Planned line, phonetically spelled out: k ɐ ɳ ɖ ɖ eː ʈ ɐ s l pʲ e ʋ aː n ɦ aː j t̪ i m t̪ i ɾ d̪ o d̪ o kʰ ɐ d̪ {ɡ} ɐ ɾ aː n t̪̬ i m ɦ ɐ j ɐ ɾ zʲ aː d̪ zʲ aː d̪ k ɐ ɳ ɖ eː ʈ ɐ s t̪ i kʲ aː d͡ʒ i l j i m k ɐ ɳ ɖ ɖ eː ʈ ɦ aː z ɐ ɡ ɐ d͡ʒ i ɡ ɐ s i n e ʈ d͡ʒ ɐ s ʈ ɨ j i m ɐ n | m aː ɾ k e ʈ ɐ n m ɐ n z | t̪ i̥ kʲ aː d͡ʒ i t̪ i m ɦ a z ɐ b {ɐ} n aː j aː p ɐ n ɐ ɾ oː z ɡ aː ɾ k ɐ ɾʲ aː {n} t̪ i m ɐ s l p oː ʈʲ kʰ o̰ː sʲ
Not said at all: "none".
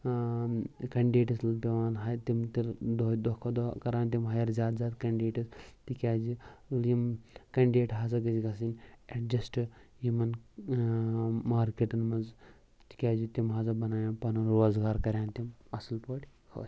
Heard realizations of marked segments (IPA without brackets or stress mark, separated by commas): k, ɐ, n